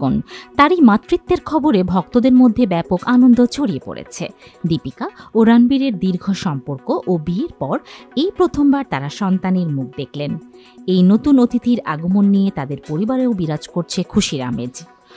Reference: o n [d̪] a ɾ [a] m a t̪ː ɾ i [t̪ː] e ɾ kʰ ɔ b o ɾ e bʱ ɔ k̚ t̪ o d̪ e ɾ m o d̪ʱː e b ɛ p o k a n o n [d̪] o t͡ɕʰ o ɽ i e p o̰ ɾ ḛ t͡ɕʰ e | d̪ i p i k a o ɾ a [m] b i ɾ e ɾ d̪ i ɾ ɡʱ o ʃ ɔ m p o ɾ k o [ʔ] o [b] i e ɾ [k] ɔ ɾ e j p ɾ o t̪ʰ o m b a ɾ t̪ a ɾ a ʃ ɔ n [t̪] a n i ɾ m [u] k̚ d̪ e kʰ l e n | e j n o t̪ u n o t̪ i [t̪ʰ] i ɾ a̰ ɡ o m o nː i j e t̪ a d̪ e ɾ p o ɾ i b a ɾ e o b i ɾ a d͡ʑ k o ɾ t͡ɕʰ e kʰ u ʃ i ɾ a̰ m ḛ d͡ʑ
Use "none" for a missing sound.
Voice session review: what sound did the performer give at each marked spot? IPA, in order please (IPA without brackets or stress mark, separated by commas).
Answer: t̪, i, t̪ː, d̪, n, ʔ, b, p, t̪, u, t̪